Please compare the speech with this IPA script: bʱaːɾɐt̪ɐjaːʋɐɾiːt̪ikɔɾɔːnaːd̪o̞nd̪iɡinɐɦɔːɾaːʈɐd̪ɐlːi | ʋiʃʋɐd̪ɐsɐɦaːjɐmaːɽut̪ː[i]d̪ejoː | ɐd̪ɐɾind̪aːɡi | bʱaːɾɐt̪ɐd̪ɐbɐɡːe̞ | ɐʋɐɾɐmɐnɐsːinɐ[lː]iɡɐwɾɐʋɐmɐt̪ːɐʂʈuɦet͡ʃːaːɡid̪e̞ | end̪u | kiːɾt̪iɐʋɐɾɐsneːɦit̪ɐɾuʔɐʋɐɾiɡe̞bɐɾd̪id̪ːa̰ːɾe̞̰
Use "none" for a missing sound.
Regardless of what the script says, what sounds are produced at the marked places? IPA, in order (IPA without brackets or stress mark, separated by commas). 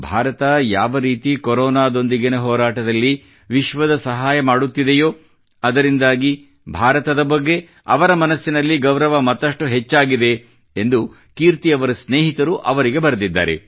i, lː